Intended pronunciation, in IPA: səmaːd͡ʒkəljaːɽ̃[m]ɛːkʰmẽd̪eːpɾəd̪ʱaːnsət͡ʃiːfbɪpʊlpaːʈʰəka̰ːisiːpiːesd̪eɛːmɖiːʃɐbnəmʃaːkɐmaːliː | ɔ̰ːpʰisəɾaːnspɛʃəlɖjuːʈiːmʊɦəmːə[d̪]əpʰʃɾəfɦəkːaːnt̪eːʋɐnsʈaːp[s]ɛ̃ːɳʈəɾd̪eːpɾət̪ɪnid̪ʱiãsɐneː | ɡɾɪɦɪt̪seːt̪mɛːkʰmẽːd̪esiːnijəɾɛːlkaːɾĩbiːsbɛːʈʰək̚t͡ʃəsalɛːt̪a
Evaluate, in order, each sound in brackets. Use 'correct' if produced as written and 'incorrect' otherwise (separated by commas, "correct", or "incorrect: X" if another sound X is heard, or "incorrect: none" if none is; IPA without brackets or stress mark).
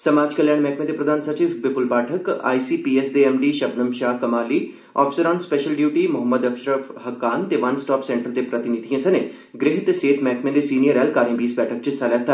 correct, correct, correct